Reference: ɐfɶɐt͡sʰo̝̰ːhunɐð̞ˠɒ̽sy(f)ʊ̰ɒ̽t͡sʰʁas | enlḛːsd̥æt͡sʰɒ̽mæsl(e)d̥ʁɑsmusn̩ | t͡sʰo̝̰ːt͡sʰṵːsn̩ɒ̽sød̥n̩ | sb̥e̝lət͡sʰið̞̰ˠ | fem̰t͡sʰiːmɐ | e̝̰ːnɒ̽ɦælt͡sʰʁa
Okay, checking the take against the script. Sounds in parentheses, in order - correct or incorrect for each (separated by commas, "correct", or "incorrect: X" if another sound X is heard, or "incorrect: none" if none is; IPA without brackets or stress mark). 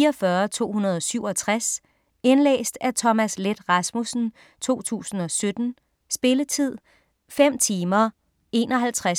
incorrect: none, correct